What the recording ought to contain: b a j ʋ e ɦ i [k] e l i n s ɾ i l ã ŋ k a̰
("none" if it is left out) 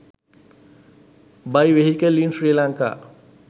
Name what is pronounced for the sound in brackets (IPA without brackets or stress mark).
k